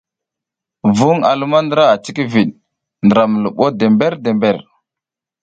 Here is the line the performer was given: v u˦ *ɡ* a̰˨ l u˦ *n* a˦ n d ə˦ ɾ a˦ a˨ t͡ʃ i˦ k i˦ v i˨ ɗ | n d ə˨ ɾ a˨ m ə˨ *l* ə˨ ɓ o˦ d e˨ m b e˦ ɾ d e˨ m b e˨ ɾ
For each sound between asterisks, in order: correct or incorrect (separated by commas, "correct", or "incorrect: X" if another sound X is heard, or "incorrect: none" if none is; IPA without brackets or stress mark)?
incorrect: ŋ, incorrect: m, correct